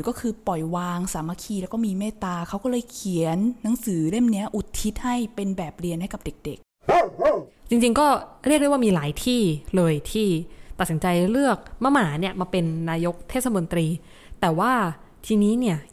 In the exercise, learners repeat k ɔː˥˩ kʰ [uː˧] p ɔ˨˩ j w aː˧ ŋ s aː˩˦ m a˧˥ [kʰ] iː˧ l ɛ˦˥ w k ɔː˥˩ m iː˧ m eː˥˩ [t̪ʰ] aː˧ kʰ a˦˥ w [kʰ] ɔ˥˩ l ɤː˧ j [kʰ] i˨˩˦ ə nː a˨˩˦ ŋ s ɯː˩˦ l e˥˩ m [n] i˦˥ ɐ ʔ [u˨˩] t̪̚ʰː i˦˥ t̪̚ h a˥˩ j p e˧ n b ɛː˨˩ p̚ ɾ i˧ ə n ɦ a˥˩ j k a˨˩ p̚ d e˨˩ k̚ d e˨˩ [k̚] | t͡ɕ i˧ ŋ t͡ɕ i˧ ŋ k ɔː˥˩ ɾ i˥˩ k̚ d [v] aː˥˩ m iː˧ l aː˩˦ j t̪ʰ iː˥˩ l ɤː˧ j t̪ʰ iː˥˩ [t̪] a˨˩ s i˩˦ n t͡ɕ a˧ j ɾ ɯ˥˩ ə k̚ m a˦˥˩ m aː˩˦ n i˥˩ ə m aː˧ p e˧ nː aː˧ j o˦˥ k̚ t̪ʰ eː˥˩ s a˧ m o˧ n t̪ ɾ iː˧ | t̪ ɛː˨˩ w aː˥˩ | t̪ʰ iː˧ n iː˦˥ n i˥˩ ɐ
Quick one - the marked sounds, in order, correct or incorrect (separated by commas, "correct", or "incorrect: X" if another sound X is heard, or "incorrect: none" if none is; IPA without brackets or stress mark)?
incorrect: ɯː˧, correct, incorrect: t̪, incorrect: k, correct, correct, correct, correct, incorrect: w, correct